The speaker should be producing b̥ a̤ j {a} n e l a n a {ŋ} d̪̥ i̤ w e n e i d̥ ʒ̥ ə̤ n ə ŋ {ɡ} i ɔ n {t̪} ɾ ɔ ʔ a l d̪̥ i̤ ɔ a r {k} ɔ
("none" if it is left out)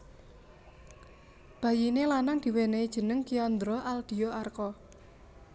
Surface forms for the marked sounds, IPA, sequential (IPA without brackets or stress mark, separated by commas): i, ŋ, k, d̪, k